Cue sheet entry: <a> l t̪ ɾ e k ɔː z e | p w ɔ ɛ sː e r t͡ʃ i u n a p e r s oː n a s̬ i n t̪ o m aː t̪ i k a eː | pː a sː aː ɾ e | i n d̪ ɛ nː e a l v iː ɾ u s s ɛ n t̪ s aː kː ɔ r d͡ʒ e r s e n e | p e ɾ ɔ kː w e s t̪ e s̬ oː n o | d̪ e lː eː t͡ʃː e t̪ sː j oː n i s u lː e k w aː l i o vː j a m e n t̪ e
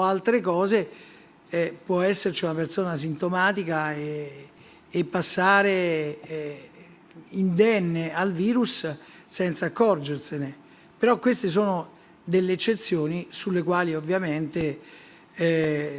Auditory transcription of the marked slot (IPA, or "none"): a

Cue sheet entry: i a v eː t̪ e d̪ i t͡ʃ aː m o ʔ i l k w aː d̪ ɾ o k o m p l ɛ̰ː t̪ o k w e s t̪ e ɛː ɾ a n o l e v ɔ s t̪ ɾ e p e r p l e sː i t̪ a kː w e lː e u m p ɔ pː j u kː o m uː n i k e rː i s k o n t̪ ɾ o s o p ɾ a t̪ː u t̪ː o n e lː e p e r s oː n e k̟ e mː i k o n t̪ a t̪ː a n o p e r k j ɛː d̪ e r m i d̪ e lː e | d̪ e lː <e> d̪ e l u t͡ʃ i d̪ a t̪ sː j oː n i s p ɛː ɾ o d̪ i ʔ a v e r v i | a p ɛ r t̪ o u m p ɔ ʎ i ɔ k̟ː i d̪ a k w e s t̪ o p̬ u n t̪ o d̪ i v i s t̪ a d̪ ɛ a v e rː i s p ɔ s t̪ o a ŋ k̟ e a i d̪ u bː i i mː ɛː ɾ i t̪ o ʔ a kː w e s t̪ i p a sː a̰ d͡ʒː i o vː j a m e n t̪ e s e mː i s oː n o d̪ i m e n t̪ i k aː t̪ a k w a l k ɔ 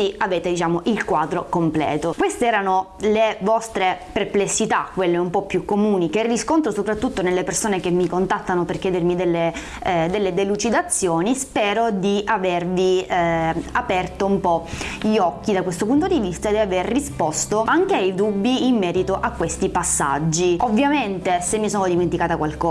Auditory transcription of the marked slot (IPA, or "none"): e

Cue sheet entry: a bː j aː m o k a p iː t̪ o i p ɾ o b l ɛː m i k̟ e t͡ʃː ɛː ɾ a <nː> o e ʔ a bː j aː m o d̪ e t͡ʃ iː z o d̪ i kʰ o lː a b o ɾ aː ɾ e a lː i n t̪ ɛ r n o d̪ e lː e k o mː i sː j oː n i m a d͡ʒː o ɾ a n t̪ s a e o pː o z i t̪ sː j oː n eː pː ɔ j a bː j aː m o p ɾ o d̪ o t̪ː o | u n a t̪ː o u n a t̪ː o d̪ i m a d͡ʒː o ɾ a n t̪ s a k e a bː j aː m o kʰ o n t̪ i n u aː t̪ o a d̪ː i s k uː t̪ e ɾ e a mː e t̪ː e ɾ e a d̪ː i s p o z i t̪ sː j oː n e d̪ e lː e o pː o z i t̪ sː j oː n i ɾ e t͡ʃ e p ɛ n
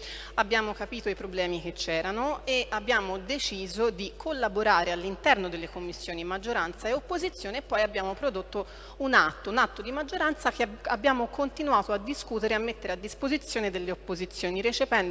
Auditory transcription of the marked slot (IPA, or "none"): n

